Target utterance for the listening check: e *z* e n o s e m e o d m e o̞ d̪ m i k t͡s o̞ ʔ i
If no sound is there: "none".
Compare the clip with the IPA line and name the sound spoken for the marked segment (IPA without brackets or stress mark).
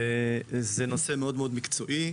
z